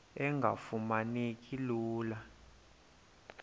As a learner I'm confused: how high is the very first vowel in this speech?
mid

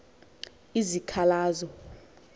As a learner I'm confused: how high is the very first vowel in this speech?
high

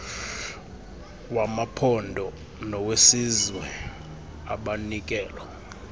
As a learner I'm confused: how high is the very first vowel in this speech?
low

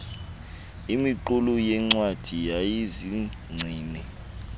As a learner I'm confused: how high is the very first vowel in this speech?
high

